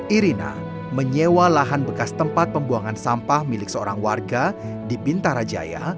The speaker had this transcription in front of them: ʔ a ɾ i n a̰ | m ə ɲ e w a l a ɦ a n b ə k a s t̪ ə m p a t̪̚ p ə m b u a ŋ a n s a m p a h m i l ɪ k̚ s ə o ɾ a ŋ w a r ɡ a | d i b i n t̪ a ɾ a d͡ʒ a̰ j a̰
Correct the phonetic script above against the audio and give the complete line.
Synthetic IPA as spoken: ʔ i ɾ i n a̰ | m ə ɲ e w a l a ɦ a n b ə k a s t̪ ə m p a t̪̚ p ə m b u a ŋ a n s a m p a h m i l ɪ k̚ s ə o ɾ a ŋ w a r ɡ a | d i b i n t̪ a ɾ a d͡ʒ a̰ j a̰